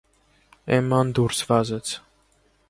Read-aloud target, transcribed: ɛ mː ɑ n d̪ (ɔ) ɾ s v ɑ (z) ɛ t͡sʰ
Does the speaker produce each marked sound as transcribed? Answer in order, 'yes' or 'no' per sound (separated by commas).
no, yes